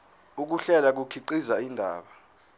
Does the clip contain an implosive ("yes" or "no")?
yes